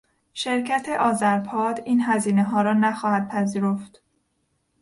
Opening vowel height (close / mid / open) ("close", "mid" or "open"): mid